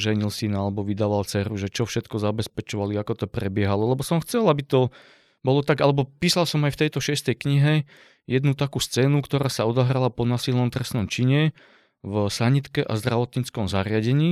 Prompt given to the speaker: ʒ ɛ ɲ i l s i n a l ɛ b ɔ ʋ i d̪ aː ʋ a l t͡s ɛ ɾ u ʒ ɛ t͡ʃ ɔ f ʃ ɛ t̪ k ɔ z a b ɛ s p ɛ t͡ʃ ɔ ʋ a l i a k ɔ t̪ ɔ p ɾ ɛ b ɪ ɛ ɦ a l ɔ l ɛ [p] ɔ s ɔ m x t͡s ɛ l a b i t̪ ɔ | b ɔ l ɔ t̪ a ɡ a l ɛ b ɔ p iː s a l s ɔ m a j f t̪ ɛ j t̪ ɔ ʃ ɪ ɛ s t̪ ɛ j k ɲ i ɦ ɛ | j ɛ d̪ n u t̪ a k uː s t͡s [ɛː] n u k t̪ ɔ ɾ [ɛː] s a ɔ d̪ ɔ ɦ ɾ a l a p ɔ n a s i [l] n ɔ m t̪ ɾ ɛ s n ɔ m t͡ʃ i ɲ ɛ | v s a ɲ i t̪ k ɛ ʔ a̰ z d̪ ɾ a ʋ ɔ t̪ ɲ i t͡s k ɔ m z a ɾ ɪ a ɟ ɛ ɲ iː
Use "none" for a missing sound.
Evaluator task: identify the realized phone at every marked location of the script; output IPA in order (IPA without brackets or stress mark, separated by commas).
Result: b, ɛː, aː, l